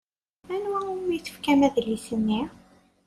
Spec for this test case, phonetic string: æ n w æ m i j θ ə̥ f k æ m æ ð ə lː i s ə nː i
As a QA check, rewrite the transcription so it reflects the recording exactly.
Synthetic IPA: æ n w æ m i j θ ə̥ f k æ m æ ð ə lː i s ə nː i